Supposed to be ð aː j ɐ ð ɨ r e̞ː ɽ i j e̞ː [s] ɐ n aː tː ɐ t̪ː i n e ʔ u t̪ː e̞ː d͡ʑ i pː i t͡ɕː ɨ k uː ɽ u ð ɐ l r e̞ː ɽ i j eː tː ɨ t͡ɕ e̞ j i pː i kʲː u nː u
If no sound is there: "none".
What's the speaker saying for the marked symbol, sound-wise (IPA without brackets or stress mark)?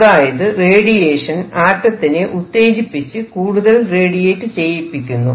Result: ʂ